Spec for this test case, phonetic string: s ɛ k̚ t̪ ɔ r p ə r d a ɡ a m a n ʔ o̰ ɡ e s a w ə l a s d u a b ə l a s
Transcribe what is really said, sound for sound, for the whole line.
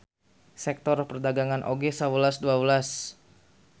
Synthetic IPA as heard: s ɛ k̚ t̪ ɔ r p ə r d a ɡ a ŋ a n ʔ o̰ ɡ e s a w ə l a s d u a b ə l a s